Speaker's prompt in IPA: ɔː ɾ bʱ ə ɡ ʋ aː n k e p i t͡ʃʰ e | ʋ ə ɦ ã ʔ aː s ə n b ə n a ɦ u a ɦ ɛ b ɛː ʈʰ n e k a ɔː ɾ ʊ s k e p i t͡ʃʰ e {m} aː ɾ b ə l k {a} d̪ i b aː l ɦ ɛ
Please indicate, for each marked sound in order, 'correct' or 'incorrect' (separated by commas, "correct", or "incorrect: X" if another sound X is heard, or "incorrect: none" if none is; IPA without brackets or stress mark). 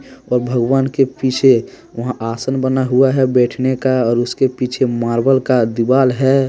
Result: correct, correct